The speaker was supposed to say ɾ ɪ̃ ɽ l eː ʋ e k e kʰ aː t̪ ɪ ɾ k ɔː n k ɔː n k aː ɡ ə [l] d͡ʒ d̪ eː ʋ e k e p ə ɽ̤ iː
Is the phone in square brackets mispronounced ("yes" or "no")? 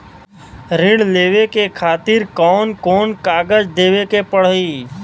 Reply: yes